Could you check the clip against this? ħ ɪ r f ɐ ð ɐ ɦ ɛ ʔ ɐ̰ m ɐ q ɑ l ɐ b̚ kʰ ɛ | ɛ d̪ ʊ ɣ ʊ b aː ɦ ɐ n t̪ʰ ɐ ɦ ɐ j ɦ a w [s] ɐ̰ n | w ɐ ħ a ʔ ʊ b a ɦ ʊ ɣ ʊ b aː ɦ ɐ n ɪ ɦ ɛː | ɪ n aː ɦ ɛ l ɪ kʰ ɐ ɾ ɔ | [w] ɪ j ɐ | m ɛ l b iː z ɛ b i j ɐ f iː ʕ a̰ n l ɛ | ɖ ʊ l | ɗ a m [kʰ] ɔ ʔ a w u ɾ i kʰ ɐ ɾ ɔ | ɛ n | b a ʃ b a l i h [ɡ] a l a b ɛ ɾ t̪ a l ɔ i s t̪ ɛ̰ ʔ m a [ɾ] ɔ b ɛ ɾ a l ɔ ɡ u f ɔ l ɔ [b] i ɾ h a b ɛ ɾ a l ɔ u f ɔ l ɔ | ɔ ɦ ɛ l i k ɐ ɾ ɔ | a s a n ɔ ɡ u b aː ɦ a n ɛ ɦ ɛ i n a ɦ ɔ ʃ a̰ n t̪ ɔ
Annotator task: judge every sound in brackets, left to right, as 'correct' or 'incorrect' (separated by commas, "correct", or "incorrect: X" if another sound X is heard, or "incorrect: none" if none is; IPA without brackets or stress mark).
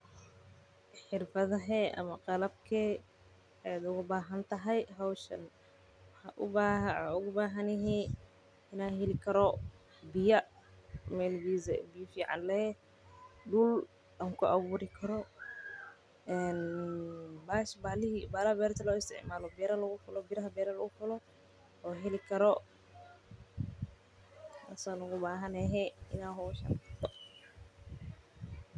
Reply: incorrect: ʃ, incorrect: b, incorrect: k, incorrect: b, incorrect: l, correct